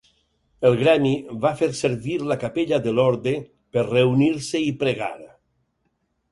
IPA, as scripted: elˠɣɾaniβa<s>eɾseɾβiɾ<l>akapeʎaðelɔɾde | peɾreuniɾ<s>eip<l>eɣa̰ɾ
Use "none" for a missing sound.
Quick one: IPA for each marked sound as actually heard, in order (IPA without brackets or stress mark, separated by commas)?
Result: f, l, s, ɾ